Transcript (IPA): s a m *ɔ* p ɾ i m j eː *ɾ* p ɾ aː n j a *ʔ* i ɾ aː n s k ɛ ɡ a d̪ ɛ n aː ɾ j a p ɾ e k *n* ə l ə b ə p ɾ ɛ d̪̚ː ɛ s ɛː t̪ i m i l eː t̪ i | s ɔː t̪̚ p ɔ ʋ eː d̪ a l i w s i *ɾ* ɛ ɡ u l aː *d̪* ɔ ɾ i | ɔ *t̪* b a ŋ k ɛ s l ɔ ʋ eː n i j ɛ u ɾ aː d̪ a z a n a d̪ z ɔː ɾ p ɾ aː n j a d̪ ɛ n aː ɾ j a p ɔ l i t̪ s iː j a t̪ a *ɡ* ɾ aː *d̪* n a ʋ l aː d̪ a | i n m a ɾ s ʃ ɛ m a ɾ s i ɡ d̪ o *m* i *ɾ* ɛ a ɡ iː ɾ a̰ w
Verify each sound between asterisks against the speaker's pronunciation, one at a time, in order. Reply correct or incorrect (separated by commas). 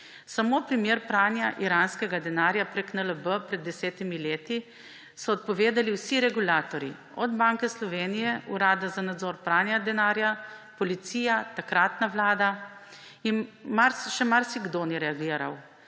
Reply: incorrect, correct, correct, correct, correct, incorrect, incorrect, incorrect, incorrect, incorrect, correct